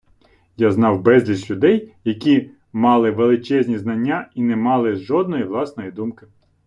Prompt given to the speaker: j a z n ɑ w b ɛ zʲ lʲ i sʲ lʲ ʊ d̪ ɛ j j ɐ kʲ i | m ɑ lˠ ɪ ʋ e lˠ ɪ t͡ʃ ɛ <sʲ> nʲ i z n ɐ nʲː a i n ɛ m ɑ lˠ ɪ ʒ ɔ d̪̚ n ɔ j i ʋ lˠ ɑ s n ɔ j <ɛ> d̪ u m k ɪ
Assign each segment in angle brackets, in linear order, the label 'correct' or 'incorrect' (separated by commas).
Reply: incorrect, incorrect